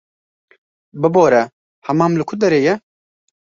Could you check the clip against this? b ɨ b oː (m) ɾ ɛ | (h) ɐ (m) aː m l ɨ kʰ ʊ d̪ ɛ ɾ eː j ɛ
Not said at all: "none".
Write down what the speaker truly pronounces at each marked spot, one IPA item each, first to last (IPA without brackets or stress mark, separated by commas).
none, h, m